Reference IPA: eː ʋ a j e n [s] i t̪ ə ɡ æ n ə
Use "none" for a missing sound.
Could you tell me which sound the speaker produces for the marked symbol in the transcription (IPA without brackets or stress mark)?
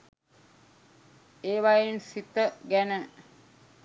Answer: s